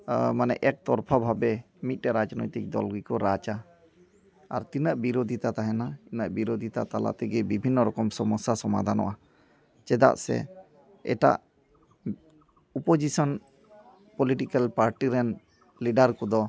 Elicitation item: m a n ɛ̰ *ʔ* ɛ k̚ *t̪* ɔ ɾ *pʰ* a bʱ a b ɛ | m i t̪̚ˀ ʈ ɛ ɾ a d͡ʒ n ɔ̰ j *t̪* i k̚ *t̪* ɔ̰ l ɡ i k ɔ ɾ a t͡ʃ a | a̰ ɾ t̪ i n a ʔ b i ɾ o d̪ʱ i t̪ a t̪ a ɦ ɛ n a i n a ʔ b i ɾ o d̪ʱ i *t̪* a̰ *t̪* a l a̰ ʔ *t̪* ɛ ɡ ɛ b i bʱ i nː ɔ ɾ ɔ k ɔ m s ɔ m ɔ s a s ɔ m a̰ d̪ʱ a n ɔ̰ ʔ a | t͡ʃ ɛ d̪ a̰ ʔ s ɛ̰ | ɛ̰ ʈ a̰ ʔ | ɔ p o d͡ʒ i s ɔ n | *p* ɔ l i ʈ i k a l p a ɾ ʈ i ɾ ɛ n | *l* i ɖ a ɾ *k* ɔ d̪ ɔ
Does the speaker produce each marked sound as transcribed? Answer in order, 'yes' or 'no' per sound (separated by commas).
yes, yes, yes, yes, no, yes, yes, yes, yes, yes, yes